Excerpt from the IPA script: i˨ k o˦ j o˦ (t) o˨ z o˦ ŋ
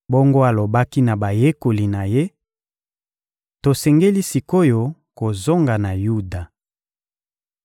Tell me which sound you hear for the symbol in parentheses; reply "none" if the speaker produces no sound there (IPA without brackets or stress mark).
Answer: k